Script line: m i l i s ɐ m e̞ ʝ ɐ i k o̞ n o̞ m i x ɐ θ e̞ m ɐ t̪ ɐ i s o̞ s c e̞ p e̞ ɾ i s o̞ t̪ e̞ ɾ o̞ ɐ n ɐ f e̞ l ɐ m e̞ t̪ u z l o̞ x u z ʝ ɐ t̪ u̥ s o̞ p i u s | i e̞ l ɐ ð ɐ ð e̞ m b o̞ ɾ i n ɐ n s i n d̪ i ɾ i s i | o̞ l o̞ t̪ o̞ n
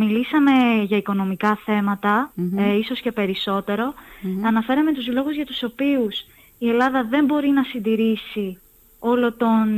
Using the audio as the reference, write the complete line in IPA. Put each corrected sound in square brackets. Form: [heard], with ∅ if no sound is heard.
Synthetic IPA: m i l i s ɐ m e̞ ʝ ɐ i k o̞ n o̞ m i [k] ɐ θ e̞ m ɐ t̪ ɐ i s o̞ s c e̞ p e̞ ɾ i s o̞ t̪ e̞ ɾ o̞ ɐ n ɐ f e̞ [ɾ] ɐ m e̞ t̪ u z l o̞ [ɣ] u z ʝ ɐ t̪ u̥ s o̞ p i u s | i e̞ l ɐ ð ɐ ð e̞ m b o̞ ɾ i n ɐ [∅] s i n d̪ i ɾ i s i | o̞ l o̞ t̪ o̞ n